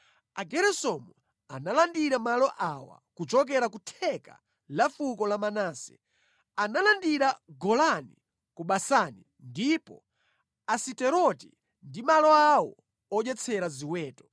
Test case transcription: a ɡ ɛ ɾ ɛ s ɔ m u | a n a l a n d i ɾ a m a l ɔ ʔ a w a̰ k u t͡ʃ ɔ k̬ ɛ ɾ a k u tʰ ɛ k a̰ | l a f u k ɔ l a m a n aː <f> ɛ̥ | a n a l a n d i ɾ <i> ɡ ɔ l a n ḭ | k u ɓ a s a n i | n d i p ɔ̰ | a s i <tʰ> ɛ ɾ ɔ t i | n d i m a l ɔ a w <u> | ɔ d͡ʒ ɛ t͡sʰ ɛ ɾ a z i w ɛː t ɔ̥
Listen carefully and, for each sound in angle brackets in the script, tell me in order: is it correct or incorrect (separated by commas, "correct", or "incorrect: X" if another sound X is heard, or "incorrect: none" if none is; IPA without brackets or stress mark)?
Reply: incorrect: s, incorrect: a, incorrect: t, incorrect: ɔ